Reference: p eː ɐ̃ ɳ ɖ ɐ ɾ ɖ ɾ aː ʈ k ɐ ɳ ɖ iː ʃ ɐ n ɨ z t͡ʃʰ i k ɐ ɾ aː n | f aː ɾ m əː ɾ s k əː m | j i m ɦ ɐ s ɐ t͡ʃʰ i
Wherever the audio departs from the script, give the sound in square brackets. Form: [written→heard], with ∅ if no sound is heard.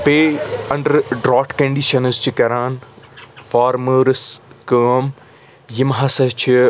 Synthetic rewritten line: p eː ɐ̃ ɳ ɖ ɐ ɾ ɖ ɾ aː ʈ k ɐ ɳ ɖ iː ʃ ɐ n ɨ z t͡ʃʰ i k ɐ ɾ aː n | f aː ɾ m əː ɾ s k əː m | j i m ɦ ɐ s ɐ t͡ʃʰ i